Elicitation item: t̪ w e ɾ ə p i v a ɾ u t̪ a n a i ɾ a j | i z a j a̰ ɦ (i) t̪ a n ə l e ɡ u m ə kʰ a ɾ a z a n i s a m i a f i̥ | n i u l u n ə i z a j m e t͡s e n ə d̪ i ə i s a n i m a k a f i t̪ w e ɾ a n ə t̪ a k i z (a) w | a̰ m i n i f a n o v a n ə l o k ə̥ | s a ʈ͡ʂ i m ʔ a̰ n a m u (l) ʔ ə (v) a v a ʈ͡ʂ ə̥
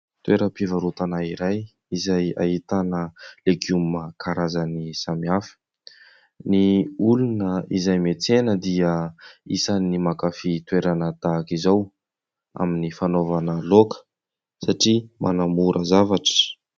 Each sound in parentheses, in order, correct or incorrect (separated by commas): correct, correct, incorrect, incorrect